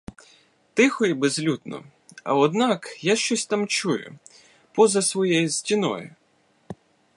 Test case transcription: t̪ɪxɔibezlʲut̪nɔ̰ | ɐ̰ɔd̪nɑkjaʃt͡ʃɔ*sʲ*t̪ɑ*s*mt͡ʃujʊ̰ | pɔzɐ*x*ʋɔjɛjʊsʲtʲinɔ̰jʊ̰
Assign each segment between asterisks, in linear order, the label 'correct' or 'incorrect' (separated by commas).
correct, incorrect, incorrect